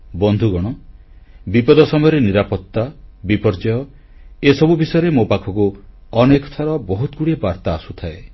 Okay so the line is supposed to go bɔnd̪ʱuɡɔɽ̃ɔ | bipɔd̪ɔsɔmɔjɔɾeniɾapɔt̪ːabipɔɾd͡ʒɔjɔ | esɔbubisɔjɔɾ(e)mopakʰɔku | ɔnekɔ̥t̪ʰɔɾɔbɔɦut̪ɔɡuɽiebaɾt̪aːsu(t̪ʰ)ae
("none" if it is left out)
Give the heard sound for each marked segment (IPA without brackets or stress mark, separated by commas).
e, t̪ʰ